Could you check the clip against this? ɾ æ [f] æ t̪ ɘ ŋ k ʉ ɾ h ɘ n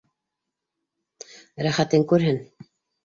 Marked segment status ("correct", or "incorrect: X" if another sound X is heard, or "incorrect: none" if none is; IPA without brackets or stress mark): incorrect: χ